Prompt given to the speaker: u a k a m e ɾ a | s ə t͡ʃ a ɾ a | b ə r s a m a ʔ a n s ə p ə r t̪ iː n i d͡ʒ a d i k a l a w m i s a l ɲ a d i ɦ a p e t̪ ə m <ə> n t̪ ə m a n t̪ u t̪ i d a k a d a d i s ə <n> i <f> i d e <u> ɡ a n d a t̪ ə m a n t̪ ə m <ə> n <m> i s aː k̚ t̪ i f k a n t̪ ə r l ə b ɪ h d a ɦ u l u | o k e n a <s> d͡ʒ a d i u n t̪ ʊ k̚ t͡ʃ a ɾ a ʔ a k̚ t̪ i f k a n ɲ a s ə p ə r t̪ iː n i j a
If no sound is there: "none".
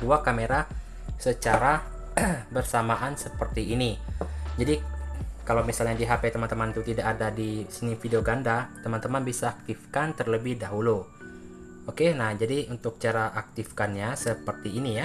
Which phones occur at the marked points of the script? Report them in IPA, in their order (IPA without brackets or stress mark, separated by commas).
a, n, f, o, a, b, h